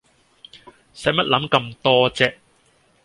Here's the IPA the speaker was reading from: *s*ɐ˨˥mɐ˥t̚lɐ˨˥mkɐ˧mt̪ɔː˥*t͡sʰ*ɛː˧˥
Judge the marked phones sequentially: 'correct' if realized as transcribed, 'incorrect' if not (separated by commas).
correct, incorrect